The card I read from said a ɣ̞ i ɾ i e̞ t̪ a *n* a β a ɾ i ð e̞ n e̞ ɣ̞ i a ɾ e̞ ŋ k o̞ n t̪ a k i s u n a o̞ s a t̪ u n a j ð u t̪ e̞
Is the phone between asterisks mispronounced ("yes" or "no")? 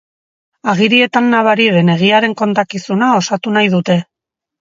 yes